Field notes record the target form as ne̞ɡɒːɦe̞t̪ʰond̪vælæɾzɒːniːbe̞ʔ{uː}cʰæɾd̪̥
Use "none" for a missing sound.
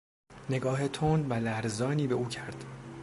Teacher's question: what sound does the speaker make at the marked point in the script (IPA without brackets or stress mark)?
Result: uː